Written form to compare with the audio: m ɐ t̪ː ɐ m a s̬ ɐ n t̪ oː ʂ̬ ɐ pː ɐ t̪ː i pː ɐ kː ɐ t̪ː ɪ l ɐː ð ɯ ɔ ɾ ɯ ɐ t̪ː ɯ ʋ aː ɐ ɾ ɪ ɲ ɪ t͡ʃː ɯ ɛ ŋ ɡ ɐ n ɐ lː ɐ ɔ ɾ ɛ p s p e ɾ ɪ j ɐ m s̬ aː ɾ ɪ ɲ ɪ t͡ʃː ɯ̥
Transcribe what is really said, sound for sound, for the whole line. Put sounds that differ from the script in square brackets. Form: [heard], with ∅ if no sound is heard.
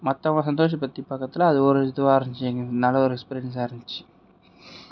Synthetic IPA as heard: m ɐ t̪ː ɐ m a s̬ ɐ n [d̪] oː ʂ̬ ɐ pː ɐ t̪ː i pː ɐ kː ɐ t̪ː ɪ l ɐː ð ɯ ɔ ɾ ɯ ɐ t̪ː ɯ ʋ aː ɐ ɾ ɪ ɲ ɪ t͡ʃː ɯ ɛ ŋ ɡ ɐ n ɐ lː ɐ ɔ ɾ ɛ [k] s p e ɾ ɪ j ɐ [n] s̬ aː ɾ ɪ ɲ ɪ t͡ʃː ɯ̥